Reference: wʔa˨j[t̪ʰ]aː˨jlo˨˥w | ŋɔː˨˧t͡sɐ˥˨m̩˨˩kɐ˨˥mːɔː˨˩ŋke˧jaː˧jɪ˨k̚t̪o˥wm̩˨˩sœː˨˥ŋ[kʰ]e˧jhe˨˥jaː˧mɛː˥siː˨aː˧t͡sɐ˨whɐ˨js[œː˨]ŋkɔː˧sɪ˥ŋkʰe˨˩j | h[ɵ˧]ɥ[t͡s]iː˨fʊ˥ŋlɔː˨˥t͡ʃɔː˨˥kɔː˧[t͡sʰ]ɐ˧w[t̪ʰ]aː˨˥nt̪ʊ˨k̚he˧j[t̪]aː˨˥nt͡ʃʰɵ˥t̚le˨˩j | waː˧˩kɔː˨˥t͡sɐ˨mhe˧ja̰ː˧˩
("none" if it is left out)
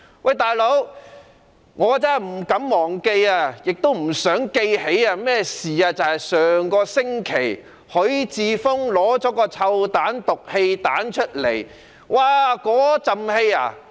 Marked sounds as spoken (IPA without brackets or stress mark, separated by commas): t̪, k, œː˨, ɵ˨˥, t͡s, t͡sʰ, t̪, t̪